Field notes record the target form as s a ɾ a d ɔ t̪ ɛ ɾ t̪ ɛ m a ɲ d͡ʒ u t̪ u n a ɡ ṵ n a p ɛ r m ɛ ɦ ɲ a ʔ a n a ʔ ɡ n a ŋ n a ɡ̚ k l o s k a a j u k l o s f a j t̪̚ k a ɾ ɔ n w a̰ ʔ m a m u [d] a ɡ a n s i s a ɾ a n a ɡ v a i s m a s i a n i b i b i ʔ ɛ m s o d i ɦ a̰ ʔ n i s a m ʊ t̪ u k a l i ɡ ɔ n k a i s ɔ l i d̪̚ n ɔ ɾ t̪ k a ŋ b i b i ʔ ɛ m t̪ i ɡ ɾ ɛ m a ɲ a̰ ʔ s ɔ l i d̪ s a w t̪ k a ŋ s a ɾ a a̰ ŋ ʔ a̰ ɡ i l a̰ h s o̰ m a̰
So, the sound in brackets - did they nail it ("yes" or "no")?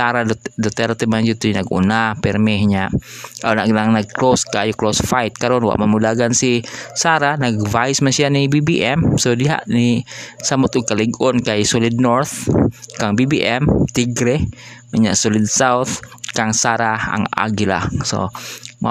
yes